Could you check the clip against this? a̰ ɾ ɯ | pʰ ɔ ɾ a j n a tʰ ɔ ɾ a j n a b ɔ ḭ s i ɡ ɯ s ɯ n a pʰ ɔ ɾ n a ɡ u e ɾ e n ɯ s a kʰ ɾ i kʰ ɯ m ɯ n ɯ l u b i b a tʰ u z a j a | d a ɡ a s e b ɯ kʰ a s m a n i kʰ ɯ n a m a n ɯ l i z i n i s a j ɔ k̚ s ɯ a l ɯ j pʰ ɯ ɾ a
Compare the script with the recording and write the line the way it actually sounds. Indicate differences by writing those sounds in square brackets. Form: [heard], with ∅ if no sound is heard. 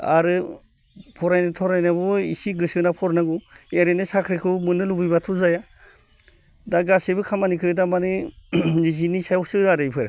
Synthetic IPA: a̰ ɾ ɯ | pʰ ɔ ɾ a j n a tʰ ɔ ɾ a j n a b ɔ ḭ s i ɡ ɯ s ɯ n a pʰ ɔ ɾ n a ɡ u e ɾ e n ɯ s a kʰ ɾ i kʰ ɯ m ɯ n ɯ l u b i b a tʰ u z a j a | d a ɡ a s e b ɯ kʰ a [∅] m a n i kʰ ɯ [d] a m a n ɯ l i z i n i s a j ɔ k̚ s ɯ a [ɾ] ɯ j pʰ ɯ ɾ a